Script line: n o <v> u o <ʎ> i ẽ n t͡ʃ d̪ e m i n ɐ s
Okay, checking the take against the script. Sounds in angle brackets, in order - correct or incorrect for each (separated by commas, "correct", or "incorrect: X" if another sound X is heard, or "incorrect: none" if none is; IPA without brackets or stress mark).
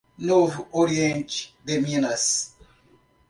correct, incorrect: ɾ